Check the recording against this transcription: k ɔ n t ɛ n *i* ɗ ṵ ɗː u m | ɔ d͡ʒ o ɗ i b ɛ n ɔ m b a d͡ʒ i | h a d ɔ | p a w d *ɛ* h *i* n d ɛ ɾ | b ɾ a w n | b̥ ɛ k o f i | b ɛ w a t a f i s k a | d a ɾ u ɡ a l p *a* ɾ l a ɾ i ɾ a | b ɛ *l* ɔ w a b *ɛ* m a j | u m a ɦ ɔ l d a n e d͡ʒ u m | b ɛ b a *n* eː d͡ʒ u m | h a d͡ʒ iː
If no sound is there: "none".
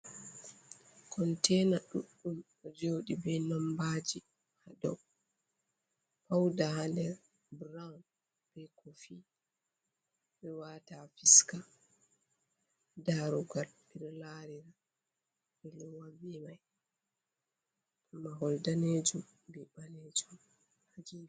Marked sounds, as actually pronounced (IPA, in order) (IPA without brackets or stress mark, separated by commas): a, a, a, i, l, i, n